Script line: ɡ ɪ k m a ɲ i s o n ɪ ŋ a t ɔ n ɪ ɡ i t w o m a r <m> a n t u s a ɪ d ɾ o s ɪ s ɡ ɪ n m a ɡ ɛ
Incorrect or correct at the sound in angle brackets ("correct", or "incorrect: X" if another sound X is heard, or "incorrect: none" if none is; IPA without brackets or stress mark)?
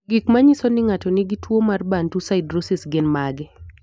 incorrect: b